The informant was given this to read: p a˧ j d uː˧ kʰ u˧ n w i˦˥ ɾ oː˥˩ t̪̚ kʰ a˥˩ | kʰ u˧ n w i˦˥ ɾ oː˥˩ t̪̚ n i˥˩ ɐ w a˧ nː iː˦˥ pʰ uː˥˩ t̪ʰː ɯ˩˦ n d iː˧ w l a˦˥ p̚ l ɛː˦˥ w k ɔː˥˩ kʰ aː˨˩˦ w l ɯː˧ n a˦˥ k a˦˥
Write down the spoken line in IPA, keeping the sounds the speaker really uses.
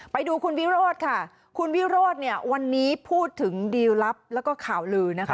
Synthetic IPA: p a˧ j d uː˧ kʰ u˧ n w i˦˥ ɾ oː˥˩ t̪̚ kʰ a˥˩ | kʰ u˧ n w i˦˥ ɾ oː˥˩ t̪̚ n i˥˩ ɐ w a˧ nː iː˦˥ pʰ uː˥˩ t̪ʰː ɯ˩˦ ŋ d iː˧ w l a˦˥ p̚ l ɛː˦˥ w k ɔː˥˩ kʰ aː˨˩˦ w l ɯː˧ n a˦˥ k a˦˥